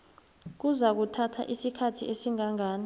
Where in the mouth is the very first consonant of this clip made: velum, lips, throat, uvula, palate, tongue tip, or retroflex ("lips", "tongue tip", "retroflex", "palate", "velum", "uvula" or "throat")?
velum